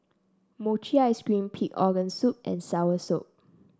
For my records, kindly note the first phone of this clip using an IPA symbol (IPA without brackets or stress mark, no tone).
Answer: m